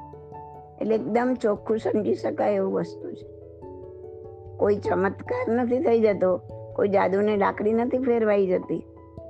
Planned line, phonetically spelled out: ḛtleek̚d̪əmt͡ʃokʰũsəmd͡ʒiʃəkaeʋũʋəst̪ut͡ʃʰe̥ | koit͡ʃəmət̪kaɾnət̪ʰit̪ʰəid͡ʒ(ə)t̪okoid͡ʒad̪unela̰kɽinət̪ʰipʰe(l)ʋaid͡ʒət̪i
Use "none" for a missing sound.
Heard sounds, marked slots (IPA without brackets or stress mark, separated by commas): ə, ɾ